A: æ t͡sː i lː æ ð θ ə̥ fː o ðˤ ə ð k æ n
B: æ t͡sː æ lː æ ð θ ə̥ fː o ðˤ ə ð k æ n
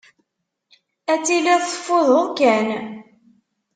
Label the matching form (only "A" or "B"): A